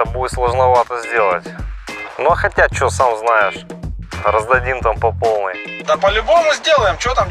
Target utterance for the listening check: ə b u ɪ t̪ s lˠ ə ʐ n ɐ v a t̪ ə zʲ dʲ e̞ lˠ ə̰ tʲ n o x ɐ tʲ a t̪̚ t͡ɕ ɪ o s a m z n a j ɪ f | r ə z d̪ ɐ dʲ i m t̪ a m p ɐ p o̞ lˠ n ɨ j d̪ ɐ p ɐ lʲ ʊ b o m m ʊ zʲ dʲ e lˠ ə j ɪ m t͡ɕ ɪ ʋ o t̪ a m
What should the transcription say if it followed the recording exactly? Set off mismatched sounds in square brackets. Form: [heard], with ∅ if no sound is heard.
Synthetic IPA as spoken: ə b u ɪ t̪ s lˠ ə ʐ n ɐ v a t̪ ə zʲ dʲ e̞ lˠ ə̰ tʲ n o x ɐ tʲ a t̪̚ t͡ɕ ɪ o s a m z n a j ɪ [ʂ] | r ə z d̪ ɐ dʲ i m t̪ a m p ɐ p o̞ lˠ n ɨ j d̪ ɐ p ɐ lʲ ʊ b o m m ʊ zʲ dʲ e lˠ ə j ɪ m t͡ɕ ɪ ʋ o t̪ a m